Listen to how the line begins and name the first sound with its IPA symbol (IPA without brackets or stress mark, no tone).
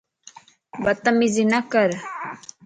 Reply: b